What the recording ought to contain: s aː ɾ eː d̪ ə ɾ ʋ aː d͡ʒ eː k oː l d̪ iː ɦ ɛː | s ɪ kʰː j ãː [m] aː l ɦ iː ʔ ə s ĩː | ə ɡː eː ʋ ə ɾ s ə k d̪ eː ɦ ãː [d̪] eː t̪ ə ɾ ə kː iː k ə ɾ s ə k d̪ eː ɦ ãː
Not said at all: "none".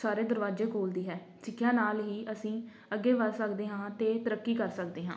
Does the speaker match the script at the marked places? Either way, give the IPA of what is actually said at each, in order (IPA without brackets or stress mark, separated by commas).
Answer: n, t̪